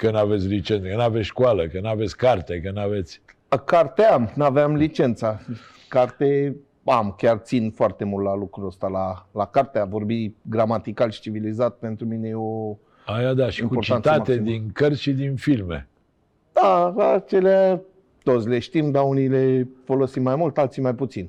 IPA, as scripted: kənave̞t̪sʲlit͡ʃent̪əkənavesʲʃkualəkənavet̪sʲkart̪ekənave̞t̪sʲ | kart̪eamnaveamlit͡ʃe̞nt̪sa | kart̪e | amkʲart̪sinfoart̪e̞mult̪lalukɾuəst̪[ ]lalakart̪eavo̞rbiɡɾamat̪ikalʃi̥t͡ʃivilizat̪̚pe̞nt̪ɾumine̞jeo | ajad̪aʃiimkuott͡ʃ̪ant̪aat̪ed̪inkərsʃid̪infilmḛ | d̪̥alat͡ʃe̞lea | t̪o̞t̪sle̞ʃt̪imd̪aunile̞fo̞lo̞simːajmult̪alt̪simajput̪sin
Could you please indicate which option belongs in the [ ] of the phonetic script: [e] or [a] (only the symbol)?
a